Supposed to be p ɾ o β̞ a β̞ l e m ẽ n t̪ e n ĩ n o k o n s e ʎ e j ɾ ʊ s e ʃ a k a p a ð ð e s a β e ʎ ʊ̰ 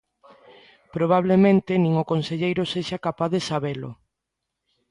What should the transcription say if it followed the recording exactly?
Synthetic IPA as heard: p ɾ o β̞ a β̞ l e m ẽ n t̪ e n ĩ ŋ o k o n s e ʎ e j ɾ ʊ s e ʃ a k a p a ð ð e s a β e l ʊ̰